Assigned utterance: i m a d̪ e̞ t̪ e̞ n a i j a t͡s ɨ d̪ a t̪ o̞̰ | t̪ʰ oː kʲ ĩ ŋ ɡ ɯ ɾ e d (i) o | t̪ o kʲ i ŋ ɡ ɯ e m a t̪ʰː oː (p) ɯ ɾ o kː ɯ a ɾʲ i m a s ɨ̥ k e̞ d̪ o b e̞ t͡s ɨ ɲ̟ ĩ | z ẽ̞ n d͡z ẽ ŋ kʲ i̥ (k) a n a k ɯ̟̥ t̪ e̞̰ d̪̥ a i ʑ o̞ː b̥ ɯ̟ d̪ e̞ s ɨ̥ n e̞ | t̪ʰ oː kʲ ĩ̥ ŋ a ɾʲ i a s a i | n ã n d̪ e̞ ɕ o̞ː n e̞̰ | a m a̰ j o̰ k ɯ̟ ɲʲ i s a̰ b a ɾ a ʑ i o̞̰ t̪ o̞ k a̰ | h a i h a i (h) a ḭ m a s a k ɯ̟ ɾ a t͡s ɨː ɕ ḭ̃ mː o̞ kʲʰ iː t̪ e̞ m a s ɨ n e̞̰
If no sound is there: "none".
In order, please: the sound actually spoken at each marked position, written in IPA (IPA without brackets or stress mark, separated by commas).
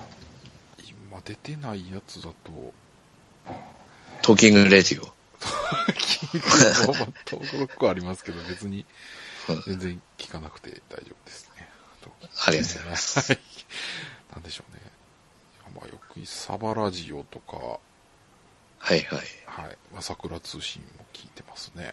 i, k, k, h